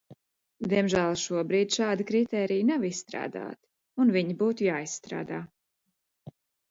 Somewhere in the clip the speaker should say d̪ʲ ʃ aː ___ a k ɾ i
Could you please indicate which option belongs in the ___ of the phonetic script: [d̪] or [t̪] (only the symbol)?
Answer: d̪